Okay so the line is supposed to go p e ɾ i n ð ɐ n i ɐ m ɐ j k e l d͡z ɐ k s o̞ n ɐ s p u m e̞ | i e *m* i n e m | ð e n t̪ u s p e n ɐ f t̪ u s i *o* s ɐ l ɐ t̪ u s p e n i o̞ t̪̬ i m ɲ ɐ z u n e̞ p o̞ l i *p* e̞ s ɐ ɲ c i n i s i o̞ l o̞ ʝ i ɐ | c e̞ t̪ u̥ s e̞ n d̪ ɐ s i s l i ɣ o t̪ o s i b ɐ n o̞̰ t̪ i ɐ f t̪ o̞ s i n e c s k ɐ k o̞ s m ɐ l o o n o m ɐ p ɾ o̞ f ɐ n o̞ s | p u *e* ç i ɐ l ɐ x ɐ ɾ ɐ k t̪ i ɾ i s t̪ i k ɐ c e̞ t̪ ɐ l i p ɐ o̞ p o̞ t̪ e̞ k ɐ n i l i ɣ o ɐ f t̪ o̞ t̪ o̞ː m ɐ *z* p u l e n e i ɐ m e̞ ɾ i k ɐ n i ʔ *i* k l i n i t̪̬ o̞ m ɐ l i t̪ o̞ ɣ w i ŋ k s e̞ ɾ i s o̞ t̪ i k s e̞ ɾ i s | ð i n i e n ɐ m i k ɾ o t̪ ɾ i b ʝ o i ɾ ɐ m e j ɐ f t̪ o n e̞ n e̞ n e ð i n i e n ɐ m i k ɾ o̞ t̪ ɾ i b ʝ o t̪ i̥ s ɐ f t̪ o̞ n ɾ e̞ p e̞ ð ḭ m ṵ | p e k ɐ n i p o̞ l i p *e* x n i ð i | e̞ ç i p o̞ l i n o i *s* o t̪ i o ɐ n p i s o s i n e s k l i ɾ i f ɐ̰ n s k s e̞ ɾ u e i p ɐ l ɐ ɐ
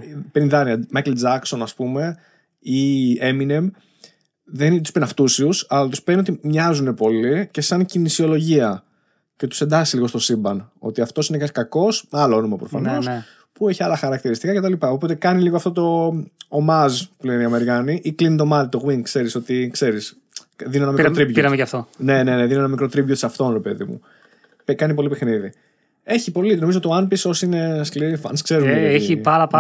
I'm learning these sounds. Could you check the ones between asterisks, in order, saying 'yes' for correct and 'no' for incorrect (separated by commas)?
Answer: yes, no, no, yes, yes, yes, yes, no